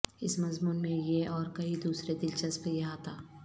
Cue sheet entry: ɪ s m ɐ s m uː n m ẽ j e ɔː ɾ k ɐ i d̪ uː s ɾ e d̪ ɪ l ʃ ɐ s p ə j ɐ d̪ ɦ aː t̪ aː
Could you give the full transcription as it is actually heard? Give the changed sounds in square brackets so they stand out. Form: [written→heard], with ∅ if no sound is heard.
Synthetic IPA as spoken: ɪ s m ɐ [s→z] m uː n m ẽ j e ɔː ɾ k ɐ i d̪ uː s ɾ e d̪ ɪ l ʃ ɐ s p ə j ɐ [d̪→∅] ɦ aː t̪ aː